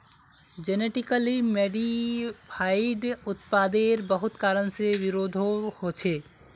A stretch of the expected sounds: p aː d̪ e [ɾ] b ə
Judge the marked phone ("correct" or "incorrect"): correct